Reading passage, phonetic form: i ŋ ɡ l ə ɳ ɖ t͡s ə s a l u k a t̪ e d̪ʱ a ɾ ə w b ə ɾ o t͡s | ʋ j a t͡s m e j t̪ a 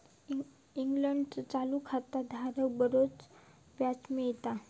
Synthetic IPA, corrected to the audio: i ŋ ɡ l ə ɳ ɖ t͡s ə t͡s a l u kʰ a t̪ a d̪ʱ a ɾ ə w b ə ɾ o t͡s | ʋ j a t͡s m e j t̪ a